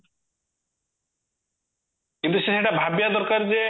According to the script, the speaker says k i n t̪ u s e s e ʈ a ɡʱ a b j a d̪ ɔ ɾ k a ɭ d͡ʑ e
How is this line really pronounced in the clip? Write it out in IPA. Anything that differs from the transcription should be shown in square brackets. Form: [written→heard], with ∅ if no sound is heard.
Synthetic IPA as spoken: k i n t̪ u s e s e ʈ a [ɡʱ→bʱ] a b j a d̪ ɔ ɾ k a [ɭ→ɾ] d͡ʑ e